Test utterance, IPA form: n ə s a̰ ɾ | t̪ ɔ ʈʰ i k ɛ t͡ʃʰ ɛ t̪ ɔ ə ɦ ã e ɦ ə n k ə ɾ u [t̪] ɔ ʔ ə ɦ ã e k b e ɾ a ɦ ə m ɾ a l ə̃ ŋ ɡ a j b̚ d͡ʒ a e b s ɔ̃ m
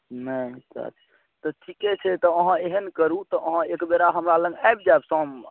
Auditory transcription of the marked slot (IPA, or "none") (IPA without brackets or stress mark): t̪